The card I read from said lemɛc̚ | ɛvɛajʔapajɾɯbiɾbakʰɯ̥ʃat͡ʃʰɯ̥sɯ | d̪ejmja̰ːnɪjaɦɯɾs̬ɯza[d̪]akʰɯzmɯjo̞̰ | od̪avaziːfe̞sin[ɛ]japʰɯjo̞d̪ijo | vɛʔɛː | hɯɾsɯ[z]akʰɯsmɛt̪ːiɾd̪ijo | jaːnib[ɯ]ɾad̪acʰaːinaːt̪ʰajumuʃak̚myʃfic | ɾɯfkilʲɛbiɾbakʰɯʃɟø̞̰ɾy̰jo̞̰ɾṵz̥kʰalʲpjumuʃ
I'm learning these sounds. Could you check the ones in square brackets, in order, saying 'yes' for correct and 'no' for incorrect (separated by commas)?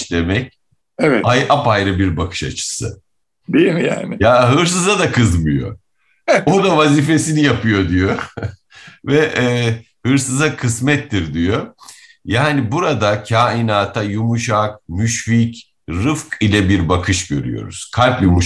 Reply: yes, no, yes, no